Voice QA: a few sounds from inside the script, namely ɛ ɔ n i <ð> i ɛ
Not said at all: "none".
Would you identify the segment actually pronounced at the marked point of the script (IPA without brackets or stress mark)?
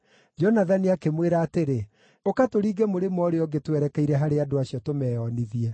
ð